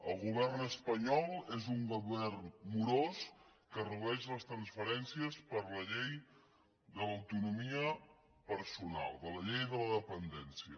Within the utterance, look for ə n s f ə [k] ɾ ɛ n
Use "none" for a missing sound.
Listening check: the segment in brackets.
none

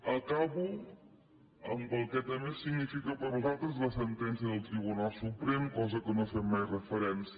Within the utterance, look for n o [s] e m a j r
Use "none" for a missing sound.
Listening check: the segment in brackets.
f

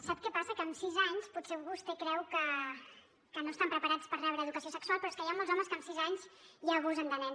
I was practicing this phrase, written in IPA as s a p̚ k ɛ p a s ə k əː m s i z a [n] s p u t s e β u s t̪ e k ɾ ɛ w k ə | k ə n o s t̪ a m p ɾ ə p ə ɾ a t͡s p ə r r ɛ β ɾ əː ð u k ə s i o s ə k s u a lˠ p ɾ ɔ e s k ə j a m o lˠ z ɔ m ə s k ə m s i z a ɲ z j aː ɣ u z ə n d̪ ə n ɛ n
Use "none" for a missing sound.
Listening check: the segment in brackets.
ɲ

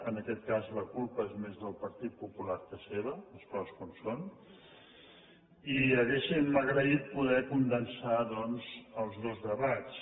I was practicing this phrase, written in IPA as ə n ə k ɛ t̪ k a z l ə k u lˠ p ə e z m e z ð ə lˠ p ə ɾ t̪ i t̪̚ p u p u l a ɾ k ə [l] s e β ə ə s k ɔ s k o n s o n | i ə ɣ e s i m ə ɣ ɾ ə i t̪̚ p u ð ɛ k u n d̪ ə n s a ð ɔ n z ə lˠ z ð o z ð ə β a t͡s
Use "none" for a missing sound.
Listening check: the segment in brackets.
none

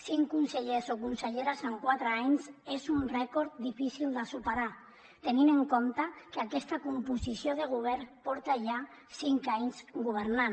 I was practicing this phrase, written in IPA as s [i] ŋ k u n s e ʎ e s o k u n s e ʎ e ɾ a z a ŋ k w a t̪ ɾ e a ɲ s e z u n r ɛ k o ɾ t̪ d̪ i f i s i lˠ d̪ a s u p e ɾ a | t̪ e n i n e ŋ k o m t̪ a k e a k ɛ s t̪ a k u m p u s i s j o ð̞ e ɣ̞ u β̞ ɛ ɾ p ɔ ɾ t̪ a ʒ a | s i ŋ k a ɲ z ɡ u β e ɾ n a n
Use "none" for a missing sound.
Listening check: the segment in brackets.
i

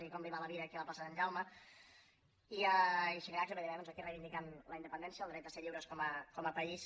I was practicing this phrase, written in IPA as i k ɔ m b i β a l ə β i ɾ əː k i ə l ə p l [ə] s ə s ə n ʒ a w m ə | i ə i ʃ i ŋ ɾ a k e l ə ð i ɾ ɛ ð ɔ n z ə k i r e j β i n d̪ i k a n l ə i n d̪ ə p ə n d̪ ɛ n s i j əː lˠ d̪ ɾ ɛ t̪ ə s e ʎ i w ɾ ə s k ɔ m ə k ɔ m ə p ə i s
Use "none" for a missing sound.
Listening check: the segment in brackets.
a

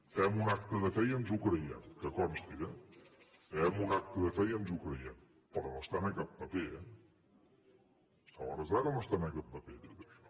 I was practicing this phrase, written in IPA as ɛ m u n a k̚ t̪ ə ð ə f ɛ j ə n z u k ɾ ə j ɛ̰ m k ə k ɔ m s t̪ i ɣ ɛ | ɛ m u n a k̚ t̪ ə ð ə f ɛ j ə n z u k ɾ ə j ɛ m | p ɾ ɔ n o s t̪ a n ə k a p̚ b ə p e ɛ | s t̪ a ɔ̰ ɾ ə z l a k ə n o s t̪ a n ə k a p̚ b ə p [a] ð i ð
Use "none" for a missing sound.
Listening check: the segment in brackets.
e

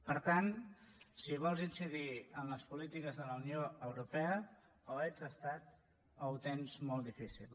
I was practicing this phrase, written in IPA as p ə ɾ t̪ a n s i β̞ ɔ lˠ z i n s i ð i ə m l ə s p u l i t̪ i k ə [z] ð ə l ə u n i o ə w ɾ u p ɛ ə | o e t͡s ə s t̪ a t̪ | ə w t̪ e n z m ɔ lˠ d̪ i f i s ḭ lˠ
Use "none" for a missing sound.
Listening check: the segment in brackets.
z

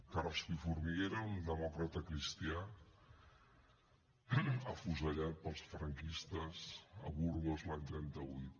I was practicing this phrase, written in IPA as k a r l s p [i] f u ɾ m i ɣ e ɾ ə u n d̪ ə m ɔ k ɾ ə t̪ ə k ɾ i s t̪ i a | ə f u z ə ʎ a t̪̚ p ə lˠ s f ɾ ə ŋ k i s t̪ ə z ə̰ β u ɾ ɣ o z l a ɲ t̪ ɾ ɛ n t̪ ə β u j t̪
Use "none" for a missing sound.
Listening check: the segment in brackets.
i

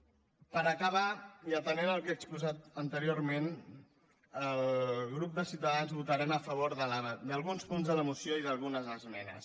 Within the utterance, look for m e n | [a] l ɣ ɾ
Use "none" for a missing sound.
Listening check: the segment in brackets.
ə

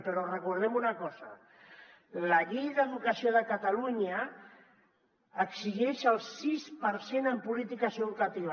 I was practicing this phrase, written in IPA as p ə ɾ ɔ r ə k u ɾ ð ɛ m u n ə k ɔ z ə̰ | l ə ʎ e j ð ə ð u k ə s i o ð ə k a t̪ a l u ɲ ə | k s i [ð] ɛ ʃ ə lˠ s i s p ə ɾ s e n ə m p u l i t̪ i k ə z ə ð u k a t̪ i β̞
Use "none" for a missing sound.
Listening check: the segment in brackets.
ʒ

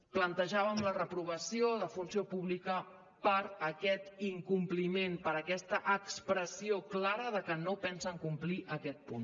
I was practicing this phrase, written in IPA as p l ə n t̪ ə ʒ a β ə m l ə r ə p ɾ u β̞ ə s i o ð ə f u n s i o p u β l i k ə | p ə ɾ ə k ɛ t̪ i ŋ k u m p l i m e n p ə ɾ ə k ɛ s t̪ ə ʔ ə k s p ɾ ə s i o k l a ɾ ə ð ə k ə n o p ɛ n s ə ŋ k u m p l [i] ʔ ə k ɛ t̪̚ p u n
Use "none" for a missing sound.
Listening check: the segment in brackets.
i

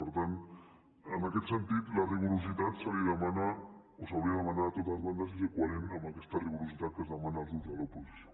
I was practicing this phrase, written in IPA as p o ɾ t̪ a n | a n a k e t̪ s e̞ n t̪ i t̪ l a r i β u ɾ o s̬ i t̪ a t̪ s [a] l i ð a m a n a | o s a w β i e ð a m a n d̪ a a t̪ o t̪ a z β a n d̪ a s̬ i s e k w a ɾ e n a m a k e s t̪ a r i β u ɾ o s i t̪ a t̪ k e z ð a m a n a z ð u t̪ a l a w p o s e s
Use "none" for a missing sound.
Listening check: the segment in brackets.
a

